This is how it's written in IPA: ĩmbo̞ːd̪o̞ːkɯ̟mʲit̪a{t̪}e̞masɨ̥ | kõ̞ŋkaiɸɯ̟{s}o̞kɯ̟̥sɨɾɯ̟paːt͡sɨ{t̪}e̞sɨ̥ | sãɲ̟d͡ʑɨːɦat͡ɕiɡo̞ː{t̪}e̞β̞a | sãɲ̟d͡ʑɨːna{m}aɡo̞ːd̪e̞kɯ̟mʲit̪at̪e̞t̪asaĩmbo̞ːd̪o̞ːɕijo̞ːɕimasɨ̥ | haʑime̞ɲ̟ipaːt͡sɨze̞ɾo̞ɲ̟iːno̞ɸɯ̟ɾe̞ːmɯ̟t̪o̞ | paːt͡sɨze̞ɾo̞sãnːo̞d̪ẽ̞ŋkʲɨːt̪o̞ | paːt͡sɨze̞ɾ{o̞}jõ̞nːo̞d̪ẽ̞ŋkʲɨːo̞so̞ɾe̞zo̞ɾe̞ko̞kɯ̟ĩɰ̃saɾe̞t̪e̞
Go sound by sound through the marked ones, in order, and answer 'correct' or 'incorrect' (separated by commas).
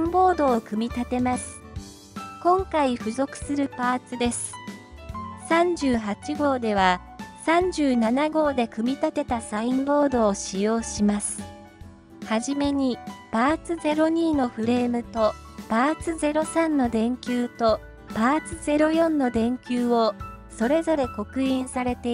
correct, incorrect, incorrect, incorrect, incorrect, correct